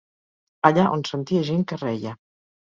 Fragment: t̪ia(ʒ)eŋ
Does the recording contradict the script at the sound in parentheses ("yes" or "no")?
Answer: no